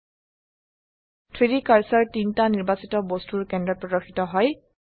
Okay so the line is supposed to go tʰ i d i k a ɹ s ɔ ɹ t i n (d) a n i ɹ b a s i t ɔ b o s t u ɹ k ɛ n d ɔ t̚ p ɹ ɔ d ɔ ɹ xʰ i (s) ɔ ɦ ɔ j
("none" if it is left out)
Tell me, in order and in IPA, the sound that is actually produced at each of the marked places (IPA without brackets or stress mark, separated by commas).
t, t